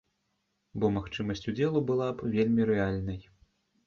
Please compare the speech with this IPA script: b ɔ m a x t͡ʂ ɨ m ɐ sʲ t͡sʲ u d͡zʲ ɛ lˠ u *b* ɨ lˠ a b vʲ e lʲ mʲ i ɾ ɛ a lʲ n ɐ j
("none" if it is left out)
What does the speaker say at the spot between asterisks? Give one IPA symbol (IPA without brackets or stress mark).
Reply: b